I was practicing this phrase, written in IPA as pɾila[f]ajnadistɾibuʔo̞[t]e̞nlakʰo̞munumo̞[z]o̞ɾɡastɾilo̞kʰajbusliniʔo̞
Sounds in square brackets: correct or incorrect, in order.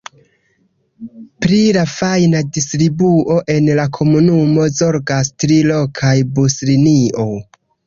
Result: correct, incorrect: ʔ, correct

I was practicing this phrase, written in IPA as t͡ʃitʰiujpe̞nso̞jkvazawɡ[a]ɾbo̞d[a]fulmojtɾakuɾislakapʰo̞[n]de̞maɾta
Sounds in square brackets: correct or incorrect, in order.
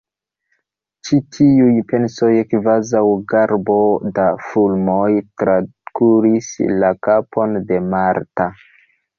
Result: correct, correct, correct

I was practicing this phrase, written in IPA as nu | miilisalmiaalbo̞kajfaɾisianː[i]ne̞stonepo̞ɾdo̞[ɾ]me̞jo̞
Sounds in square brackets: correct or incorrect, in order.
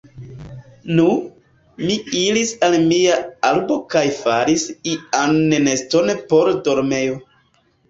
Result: incorrect: e, correct

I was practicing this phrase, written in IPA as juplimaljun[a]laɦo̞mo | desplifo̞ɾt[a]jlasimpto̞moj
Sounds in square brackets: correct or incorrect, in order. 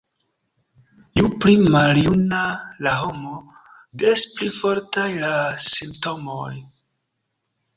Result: correct, correct

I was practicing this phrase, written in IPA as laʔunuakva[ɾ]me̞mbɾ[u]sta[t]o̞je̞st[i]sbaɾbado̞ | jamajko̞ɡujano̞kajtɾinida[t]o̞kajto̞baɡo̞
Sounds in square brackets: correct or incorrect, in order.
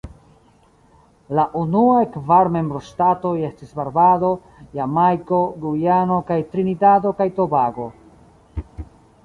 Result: correct, incorrect: o, correct, correct, incorrect: d

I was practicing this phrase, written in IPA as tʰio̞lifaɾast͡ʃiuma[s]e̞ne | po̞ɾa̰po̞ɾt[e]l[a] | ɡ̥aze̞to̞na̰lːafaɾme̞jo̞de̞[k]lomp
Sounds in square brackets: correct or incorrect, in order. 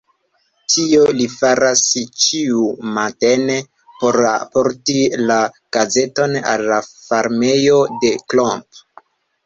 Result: incorrect: t, incorrect: i, correct, correct

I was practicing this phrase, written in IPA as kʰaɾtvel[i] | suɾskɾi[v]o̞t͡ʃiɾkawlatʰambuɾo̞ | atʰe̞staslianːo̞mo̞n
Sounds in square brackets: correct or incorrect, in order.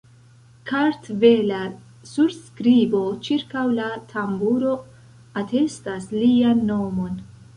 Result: incorrect: a, incorrect: b

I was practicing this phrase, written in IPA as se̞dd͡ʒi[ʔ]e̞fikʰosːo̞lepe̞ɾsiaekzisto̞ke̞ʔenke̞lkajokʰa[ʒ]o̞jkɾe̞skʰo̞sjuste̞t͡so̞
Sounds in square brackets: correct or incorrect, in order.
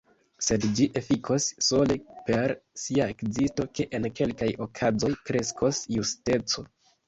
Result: correct, incorrect: z

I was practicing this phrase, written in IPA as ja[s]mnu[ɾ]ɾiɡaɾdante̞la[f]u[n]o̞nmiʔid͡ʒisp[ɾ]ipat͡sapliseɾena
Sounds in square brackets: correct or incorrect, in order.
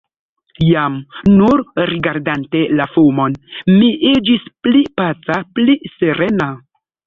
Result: incorrect: none, correct, correct, incorrect: m, incorrect: l

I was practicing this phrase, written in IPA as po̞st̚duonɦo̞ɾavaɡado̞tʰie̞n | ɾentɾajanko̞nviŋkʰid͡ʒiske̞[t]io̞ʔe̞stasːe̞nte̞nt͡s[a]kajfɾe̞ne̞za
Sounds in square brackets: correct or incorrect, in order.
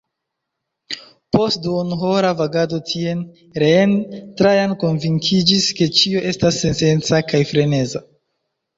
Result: incorrect: t͡ʃ, correct

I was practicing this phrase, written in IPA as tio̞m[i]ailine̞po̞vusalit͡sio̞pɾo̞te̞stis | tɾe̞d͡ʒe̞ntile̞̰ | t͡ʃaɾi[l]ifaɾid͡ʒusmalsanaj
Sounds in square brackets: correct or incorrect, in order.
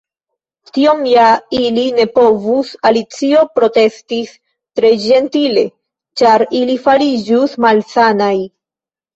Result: incorrect: j, correct

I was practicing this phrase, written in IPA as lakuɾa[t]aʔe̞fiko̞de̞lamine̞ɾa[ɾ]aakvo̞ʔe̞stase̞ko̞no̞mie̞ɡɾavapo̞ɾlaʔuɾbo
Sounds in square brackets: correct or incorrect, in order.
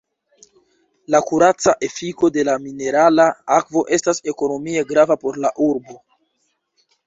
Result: incorrect: t͡s, incorrect: l

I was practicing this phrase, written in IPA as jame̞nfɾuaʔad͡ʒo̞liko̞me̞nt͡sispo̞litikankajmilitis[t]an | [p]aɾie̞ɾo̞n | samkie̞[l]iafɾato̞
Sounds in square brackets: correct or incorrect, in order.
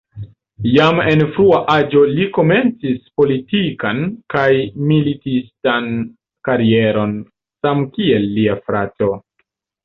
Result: correct, incorrect: k, incorrect: lː

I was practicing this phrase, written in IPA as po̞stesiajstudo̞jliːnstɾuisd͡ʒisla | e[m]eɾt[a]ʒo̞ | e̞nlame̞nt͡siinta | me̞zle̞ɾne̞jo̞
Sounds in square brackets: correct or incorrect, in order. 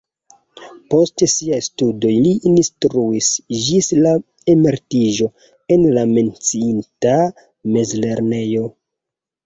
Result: correct, incorrect: i

